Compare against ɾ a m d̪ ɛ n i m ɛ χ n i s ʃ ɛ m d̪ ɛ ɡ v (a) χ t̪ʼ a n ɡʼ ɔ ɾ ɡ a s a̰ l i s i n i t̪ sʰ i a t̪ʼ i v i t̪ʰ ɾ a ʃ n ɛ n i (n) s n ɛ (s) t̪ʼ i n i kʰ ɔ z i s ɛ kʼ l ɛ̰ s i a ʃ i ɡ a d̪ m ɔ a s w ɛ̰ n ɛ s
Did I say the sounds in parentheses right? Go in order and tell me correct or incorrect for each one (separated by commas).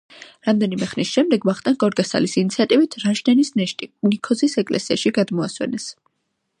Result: correct, incorrect, incorrect